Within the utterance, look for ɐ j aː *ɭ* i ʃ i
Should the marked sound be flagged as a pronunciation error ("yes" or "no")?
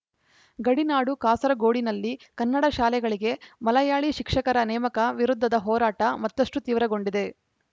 no